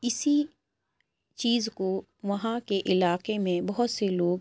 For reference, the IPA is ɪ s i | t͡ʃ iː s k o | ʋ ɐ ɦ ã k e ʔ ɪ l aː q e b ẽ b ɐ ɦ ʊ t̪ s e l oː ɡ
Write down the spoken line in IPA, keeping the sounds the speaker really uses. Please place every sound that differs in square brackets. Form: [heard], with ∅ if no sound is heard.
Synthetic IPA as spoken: ɪ s i | t͡ʃ iː [z] k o | ʋ ɐ ɦ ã k e ʔ ɪ l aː q e [m] ẽ b ɐ ɦ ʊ t̪ s e l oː ɡ

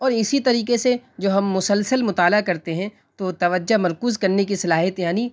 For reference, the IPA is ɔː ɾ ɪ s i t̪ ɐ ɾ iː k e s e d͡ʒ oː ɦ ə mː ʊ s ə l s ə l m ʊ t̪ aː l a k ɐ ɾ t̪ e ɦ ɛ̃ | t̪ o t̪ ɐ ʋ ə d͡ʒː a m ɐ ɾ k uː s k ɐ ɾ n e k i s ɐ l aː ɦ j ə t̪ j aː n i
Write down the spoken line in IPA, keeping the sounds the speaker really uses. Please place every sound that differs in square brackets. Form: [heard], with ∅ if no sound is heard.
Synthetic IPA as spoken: ɔː ɾ ɪ s i t̪ ɐ ɾ iː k e s e d͡ʒ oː ɦ [ɐ] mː ʊ s ə l s ə l m ʊ t̪ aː l a k ɐ ɾ t̪ e ɦ ɛ̃ | t̪ o t̪ ɐ ʋ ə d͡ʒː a m ɐ ɾ k uː [z] k ɐ ɾ n e k i s ɐ l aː ɦ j ə t̪ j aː n i

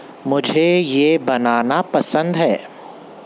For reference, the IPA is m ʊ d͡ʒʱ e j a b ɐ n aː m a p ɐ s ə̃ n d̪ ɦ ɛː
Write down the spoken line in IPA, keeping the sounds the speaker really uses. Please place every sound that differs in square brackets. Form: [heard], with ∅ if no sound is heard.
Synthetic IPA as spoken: m ʊ d͡ʒʱ e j [e] b ɐ n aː [n] a p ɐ s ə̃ n d̪ ɦ ɛː

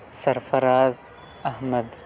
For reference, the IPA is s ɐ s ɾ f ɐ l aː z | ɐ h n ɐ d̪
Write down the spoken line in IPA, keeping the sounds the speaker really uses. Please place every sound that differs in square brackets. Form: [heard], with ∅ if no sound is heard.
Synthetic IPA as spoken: s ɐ [∅] ɾ f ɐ [ɾ] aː z | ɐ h [m] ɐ d̪

